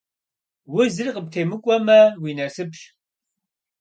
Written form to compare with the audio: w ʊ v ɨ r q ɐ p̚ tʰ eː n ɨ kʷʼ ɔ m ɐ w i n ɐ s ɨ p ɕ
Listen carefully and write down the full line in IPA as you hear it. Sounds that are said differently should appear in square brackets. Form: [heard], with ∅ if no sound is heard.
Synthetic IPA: w ʊ [z] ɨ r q [ə] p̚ tʰ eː [m] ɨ kʷʼ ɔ m ɐ w i n ɐ s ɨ p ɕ